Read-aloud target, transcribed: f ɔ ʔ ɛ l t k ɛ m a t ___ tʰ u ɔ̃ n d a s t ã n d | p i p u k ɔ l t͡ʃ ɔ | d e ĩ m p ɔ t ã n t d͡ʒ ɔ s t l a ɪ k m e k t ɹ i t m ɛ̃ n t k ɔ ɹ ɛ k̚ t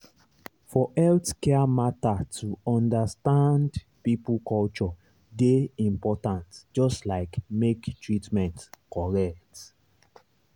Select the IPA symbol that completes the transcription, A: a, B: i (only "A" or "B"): A